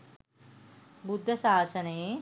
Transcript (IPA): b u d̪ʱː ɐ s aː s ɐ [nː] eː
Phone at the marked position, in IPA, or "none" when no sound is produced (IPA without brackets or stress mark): n